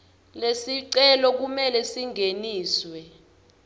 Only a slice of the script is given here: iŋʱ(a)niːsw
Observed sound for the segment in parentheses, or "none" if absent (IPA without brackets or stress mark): e